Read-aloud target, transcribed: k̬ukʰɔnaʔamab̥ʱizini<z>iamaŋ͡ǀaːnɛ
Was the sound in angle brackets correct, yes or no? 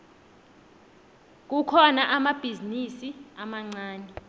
no